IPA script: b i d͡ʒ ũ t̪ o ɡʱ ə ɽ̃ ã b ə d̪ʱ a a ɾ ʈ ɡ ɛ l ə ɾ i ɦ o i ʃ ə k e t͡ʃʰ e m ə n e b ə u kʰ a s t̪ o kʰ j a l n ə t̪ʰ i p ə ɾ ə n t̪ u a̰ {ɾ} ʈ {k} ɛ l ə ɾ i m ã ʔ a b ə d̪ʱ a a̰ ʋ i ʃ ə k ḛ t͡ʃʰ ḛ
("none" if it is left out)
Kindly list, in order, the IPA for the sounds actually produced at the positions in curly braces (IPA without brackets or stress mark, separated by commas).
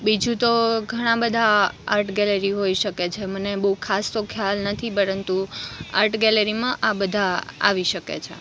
ɾ, ɡ